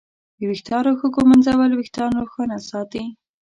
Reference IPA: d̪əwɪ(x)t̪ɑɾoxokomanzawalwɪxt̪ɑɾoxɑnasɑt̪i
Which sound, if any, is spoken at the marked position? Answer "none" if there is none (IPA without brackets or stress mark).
x